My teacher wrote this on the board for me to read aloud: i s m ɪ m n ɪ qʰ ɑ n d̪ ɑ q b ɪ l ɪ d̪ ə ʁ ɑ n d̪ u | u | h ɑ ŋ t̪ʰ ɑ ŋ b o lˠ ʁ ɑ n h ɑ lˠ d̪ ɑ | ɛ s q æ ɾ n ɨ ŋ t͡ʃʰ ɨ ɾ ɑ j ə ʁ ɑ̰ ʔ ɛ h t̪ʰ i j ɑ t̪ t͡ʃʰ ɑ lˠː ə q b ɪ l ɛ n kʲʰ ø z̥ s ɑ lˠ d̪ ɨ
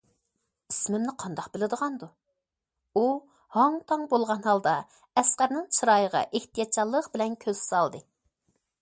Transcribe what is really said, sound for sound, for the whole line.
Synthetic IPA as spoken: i s m ɪ m n ɪ qʰ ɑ n d̪ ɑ q b ɪ l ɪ d̪ ə ʁ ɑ n d̪ u | u | h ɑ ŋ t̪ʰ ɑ ŋ b o lˠ ʁ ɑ n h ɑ lˠ d̪ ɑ | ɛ s q æ ɾ n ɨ ŋ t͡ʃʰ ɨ ɾ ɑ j ə ʁ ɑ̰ ʔ e h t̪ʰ i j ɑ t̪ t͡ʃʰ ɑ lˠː ə q b ɪ l ɛ n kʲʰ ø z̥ s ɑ lˠ d̪ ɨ

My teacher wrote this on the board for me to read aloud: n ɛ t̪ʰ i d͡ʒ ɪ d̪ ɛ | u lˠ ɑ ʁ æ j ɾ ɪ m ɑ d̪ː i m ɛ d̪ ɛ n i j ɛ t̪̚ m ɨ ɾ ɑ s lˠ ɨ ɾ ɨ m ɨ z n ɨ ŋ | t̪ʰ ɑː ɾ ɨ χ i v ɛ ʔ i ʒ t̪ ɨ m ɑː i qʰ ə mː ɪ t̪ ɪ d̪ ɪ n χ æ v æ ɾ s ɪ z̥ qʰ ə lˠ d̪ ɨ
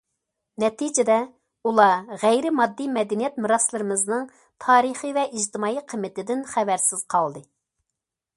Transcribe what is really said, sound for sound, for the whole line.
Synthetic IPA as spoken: n ɛ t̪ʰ i d͡ʒ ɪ d̪ ɛ | u lˠ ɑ ʁ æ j ɾ ɪ m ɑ d̪ː i m ɛ d̪ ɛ n i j ɛ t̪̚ m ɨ ɾ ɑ s lˠ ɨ ɾ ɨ m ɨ z n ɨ ŋ | t̪ʰ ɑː ɾ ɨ χ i v ɛ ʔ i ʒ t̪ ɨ m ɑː i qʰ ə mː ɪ t̪ ɪ d̪ ɪ n χ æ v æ ɾ s ɪ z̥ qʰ ɑ lˠ d̪ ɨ

